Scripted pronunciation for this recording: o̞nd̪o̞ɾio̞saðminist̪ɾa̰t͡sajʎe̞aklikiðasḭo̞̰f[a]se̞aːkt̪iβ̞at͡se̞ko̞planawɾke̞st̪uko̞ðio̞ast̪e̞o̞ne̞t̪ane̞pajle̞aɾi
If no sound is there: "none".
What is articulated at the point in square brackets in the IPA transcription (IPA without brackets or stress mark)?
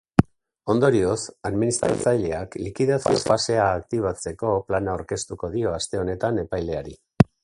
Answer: a